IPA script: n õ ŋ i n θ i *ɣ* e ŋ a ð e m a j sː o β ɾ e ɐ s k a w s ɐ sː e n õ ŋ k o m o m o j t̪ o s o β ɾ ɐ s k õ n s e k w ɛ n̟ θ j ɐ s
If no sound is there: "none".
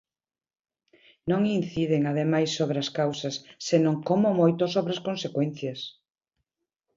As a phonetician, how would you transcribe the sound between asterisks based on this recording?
ð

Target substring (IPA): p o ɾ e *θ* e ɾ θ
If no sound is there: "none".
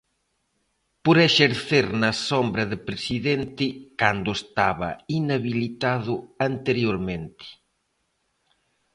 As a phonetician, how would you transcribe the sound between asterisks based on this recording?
ʃ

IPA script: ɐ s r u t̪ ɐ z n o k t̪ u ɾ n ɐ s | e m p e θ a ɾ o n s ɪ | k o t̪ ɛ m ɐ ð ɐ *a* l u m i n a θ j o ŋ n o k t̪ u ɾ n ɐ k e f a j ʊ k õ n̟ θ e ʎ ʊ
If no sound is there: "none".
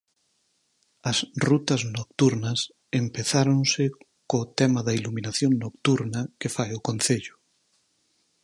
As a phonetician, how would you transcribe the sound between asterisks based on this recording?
i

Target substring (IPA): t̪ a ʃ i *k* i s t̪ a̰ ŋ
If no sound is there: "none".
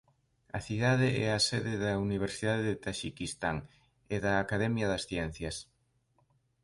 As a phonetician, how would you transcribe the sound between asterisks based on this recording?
k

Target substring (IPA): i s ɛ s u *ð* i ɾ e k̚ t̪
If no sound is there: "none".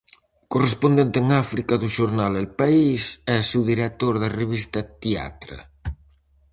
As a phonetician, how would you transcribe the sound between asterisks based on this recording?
ð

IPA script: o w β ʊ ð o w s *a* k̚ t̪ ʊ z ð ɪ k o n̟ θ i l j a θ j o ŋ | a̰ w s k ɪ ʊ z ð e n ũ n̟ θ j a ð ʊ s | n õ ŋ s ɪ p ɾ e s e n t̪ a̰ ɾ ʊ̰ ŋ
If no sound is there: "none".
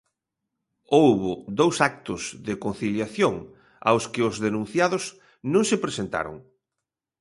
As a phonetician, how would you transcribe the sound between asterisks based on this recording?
a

